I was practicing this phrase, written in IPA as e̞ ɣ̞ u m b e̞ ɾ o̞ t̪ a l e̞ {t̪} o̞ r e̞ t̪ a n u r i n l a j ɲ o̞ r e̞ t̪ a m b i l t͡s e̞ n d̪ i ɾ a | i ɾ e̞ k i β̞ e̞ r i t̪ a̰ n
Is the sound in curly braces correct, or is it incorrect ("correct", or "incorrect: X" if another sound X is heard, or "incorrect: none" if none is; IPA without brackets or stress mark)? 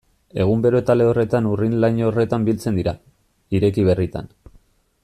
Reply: incorrect: none